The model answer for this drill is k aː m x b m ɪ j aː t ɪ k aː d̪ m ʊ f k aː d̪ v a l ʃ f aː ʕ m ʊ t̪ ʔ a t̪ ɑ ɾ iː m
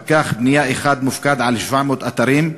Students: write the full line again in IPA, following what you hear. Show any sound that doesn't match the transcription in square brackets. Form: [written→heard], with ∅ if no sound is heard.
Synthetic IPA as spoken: k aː [m→∅] x b [m→n] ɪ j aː [t→ʔ] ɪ [k→x] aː d̪ m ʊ f k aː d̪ [v→ʕ] a l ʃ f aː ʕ m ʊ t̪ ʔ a t̪ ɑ ɾ iː m